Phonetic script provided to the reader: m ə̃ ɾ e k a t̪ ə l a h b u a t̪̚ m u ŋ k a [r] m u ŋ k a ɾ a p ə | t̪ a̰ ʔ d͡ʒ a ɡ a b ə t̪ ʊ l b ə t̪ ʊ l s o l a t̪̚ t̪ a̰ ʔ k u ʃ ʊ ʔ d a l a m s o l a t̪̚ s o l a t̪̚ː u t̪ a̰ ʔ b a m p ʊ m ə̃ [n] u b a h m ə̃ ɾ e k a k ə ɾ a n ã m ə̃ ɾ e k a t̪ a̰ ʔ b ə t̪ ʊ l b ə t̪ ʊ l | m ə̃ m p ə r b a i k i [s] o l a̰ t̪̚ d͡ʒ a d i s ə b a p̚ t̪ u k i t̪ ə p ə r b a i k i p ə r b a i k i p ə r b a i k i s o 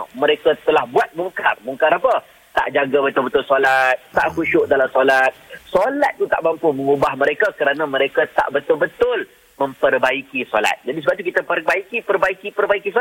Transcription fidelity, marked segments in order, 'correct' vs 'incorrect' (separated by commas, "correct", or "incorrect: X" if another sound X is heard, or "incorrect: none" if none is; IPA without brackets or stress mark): correct, incorrect: ŋ, correct